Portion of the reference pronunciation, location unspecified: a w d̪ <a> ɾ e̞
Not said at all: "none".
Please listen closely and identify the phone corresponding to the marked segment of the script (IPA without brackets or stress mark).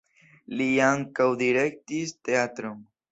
i